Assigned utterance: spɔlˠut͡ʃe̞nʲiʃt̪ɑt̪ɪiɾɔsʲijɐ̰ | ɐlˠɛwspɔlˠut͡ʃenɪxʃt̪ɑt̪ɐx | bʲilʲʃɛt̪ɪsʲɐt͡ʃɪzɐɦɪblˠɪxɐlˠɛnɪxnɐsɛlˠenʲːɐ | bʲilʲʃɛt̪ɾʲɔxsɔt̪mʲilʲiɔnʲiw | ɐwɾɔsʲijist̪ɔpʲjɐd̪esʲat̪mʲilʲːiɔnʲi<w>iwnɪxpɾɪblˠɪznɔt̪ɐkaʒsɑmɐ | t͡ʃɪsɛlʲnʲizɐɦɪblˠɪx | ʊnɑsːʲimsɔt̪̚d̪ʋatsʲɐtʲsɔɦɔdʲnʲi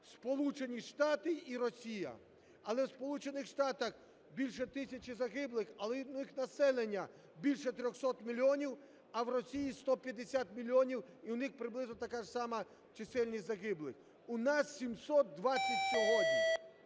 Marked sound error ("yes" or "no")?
no